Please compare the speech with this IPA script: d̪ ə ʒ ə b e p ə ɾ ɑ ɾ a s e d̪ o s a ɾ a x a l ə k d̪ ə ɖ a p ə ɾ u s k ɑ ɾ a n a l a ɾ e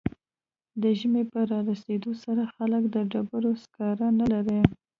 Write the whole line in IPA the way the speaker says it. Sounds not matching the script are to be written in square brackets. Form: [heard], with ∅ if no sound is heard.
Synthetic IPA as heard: d̪ ə ʒ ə [m] e p ə ɾ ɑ ɾ a s e d̪ o s a ɾ a x a l ə k d̪ ə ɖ a [b] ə ɾ [o] s k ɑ ɾ a n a l a ɾ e